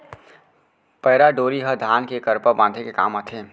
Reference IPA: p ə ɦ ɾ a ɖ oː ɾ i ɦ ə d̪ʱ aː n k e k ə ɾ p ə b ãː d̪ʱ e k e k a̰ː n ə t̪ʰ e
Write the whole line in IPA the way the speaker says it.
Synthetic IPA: p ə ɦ ɾ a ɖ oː ɾ i ɦ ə d̪ʱ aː n k e k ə ɾ p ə b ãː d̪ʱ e k e k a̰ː m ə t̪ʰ e

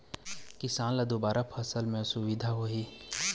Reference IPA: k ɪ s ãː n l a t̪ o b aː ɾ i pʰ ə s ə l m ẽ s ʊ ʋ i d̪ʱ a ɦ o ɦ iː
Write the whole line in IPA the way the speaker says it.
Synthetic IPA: k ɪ s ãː n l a d̪ o b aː ɾ a pʰ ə s ə l m ẽ s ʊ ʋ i d̪ʱ a ɦ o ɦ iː

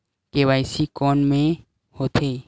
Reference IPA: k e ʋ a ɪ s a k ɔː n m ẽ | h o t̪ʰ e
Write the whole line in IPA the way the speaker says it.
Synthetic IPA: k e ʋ a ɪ s i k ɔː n m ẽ | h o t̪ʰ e

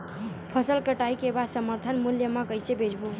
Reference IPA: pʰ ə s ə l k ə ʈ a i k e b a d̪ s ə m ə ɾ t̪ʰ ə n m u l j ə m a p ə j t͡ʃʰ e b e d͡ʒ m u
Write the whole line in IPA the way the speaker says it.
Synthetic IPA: pʰ ə s ə l k ə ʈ a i k e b a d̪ s ə m ə ɾ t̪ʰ ə n m u l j ə m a k ə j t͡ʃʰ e b e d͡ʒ b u

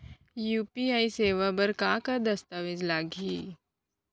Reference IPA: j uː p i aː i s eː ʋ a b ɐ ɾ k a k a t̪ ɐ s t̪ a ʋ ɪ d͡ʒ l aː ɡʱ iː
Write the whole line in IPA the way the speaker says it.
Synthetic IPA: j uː p i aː i s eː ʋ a b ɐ ɾ k a k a d̪ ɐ s t̪ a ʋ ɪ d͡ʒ l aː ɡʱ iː

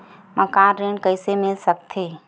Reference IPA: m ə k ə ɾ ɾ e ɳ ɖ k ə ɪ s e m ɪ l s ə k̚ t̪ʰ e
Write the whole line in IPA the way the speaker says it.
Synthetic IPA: m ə k a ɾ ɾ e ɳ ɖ k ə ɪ s e m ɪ l s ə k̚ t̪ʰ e

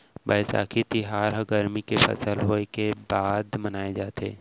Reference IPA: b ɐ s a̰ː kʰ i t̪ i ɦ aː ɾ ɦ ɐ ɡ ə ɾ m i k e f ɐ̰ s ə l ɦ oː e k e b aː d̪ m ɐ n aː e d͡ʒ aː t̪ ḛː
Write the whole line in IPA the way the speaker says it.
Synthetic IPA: b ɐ s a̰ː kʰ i t̪ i ɦ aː ɾ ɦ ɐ ɡ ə ɾ m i k e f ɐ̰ s ə l ɦ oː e k e b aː d̪ m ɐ n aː e d͡ʒ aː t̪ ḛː

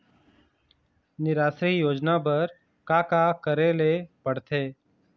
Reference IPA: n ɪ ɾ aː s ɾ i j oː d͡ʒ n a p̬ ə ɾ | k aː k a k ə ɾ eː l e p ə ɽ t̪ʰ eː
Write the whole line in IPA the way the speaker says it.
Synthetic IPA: n ɪ ɾ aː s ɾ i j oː d͡ʒ n a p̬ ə ɾ | k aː k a k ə ɾ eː l e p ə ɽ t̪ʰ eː

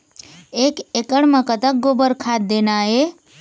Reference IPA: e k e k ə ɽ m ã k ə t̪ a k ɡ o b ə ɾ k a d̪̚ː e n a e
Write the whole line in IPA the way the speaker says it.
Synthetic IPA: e k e k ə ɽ m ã k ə t̪ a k ɡ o b ə ɾ kʰ a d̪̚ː e n a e

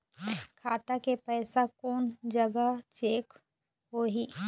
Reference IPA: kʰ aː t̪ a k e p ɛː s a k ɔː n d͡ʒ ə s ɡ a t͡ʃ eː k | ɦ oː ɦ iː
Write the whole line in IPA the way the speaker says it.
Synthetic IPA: kʰ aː t̪ a k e p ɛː s a k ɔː n d͡ʒ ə ɡ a t͡ʃ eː k | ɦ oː ɦ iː

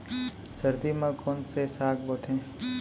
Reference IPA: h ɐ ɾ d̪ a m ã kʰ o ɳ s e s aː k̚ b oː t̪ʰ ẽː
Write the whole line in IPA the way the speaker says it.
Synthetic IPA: s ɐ ɾ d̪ i m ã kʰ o n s e s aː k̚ b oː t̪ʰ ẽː

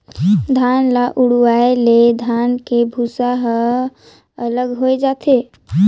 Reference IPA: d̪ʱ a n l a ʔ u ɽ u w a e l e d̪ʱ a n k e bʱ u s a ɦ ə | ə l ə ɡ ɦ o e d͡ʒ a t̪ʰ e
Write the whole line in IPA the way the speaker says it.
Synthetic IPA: d̪ʱ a n l a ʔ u ɽ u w a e l e d̪ʱ a n k e bʱ u s a ɦ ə | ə l ə ɡ ɦ o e d͡ʒ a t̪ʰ e

